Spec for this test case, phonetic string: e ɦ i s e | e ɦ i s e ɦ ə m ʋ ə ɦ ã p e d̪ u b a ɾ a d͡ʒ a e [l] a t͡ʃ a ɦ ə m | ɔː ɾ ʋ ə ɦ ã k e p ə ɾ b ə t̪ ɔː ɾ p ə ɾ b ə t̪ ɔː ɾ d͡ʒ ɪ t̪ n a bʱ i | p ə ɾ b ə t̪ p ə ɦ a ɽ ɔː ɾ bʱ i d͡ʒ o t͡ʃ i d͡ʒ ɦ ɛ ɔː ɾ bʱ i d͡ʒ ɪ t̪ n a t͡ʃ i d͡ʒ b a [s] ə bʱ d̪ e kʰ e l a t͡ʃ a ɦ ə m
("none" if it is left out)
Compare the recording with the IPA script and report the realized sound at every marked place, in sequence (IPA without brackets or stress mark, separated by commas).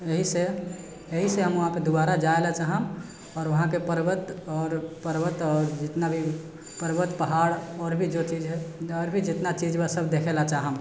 l, s